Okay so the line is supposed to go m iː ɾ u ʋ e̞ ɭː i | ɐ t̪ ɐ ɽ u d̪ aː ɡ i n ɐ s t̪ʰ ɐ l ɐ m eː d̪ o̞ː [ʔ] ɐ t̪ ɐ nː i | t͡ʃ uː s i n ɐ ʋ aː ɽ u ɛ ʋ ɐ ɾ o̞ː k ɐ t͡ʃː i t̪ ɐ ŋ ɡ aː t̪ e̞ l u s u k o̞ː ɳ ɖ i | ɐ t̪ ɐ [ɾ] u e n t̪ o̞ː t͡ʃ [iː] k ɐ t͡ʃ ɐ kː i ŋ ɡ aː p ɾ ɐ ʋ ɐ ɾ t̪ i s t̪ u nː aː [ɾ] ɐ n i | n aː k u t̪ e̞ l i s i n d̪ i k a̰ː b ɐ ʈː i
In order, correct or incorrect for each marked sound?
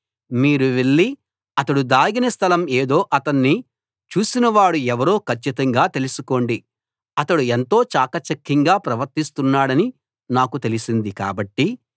correct, incorrect: ɽ, incorrect: aː, incorrect: ɽ

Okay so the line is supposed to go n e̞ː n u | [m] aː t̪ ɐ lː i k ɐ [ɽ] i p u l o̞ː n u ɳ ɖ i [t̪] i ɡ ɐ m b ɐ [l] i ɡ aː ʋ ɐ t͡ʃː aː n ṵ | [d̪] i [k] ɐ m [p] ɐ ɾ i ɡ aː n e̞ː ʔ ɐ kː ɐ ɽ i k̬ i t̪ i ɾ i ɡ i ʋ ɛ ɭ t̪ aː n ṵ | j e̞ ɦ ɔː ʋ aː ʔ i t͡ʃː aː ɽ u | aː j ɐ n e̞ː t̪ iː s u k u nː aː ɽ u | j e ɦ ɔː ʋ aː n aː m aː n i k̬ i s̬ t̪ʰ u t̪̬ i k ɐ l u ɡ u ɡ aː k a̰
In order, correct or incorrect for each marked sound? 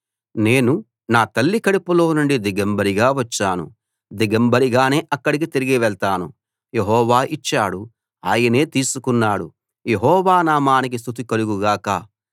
incorrect: n, correct, incorrect: d̪, incorrect: ɾ, correct, incorrect: ɡ, incorrect: b

